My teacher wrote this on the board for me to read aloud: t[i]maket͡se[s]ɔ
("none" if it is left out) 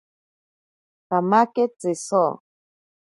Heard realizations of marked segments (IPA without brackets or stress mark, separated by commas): a, s